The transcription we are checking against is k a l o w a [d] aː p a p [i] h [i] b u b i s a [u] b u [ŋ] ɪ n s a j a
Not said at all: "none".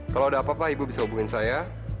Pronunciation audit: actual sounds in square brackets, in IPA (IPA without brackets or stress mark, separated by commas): d, a, i, u, ŋ